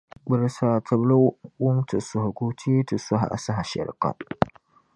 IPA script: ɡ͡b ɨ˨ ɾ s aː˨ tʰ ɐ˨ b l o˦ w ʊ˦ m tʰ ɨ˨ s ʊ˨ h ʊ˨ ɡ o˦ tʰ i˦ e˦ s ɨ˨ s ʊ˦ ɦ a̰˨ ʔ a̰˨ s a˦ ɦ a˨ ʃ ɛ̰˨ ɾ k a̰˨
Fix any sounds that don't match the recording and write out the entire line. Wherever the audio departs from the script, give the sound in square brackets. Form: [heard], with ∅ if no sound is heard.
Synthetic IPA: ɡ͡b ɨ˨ ɾ s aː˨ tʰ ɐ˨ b l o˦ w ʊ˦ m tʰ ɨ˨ s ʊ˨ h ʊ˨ ɡ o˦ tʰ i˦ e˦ [t] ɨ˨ s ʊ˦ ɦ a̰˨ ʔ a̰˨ s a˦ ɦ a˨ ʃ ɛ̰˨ ɾ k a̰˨